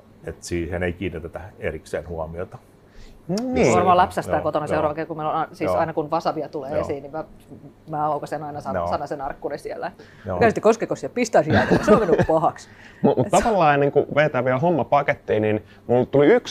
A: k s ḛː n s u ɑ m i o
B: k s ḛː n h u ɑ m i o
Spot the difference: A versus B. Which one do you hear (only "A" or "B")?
B